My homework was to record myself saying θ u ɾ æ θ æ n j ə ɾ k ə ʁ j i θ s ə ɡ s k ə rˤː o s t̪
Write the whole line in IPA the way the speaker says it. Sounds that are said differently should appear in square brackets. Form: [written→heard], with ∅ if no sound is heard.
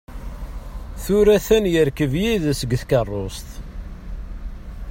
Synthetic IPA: θ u ɾ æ θ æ n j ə ɾ k ə [ʁ→v] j i [θ→ð] s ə ɡ [s→θ] k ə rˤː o s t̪